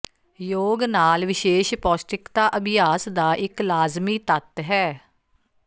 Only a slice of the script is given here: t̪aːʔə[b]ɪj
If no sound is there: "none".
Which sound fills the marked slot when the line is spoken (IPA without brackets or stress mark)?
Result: b